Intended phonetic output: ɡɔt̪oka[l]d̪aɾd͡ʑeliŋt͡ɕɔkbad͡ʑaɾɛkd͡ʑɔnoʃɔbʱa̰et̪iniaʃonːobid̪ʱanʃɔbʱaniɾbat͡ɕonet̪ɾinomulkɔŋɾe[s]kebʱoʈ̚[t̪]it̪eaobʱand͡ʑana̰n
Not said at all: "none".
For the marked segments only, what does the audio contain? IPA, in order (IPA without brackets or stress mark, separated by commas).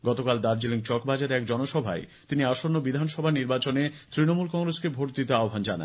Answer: l, s, d̪